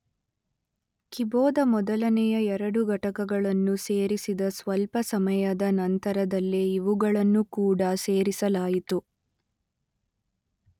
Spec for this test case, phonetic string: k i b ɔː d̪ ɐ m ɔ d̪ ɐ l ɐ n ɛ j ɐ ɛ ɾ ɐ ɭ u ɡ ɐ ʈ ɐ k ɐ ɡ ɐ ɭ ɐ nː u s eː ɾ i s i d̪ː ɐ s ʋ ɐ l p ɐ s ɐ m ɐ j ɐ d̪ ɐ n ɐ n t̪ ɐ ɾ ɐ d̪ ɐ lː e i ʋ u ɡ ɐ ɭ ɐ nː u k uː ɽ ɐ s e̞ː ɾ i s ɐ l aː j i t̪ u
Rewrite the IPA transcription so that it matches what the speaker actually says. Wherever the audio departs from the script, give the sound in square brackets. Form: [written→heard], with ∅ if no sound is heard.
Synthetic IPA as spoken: k i b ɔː d̪ ɐ m ɔ d̪ ɐ l ɐ n ɛ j ɐ ɛ ɾ ɐ [ɭ→ɽ] u ɡ ɐ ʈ ɐ k ɐ ɡ ɐ ɭ ɐ nː u s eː ɾ i s i [d̪ː→d̪] ɐ s ʋ ɐ l p ɐ s ɐ m ɐ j ɐ d̪ ɐ n ɐ n t̪ ɐ ɾ ɐ d̪ ɐ lː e i ʋ u ɡ ɐ ɭ ɐ nː u k uː ɽ ɐ s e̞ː ɾ i s ɐ l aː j i t̪ u